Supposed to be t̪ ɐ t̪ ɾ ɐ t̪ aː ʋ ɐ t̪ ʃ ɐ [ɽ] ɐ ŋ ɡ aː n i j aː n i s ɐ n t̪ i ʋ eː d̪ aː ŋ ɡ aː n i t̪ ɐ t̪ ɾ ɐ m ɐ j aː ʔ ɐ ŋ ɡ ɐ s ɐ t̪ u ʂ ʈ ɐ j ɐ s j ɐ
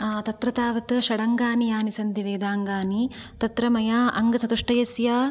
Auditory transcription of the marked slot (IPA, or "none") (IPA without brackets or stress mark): ɽ